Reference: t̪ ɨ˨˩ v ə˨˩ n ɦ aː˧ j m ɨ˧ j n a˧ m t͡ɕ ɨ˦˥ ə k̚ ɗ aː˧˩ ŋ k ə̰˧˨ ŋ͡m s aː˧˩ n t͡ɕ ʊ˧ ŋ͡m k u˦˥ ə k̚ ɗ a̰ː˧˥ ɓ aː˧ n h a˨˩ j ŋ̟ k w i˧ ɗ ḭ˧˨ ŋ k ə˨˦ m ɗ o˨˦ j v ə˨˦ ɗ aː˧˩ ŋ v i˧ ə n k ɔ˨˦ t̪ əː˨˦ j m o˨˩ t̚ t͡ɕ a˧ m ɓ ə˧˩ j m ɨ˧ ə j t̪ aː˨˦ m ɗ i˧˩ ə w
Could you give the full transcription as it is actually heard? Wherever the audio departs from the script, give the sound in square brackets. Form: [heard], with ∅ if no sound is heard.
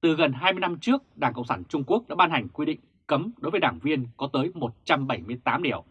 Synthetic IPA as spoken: t̪ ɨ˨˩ [ɣ] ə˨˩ n ɦ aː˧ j m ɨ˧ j n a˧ m t͡ɕ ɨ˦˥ ə k̚ ɗ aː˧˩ ŋ k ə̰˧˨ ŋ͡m s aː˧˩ n t͡ɕ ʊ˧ ŋ͡m k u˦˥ ə k̚ ɗ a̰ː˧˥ ɓ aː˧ n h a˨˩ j ŋ̟ k w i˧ ɗ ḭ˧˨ ŋ k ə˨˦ m ɗ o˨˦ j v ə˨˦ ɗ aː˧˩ ŋ v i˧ ə n k ɔ˨˦ t̪ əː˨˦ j m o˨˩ t̚ t͡ɕ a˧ m ɓ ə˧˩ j m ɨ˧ ə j t̪ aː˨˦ m ɗ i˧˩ ə w